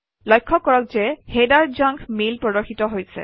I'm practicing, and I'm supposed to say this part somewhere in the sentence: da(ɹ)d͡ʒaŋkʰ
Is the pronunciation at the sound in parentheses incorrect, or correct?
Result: correct